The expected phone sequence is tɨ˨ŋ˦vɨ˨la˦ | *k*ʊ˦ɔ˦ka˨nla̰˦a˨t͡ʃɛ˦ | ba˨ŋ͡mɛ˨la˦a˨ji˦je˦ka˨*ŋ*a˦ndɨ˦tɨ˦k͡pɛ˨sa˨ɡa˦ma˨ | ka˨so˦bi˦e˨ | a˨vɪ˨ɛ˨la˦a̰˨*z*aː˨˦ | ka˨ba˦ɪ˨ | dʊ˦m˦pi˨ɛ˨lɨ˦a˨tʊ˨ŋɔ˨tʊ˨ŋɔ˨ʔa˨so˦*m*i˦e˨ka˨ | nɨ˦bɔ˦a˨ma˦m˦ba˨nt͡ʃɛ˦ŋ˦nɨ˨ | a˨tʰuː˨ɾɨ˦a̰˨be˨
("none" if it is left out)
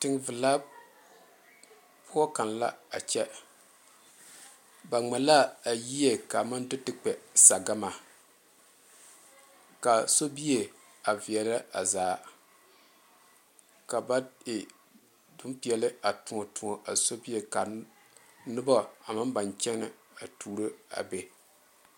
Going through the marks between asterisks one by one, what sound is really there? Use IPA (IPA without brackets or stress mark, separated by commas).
p, m, z, b